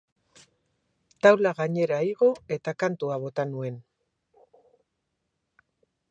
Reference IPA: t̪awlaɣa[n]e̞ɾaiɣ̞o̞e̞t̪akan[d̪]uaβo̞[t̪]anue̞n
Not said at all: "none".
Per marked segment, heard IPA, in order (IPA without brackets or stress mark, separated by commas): ɲ, t̪, t̪